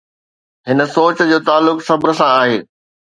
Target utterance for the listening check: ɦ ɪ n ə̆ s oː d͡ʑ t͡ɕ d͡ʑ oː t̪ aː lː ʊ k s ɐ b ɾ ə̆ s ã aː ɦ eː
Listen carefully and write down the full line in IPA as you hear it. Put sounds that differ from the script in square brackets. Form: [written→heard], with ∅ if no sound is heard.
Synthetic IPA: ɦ ɪ n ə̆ s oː [d͡ʑ→∅] t͡ɕ d͡ʑ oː t̪ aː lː ʊ k s ɐ b ɾ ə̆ s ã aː ɦ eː